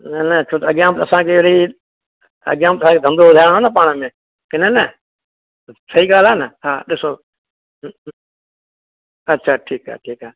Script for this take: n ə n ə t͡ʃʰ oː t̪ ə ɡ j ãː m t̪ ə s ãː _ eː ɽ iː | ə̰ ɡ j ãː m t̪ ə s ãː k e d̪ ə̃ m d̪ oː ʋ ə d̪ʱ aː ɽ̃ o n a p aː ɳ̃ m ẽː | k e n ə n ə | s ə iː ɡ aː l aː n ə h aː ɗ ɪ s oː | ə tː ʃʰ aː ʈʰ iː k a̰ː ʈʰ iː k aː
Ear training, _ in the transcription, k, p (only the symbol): k